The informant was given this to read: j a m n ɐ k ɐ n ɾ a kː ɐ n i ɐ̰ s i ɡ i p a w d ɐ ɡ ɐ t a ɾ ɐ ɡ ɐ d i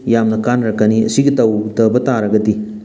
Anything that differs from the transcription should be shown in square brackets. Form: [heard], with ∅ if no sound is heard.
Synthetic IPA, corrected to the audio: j a m n ɐ k [a] n ɾ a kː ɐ n i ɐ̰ s i ɡ i [t] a w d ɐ [b] ɐ t a ɾ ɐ ɡ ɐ d i